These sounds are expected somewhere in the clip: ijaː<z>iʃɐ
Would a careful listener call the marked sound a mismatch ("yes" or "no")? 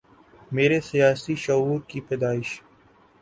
yes